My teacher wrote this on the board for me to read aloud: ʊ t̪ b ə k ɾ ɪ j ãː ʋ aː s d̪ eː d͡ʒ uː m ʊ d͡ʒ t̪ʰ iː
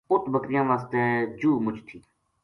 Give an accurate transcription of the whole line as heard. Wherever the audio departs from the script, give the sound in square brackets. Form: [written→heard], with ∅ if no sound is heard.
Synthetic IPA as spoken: ʊ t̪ b ə k ɾ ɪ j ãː ʋ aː s [d̪→t̪] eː d͡ʒ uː m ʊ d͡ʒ t̪ʰ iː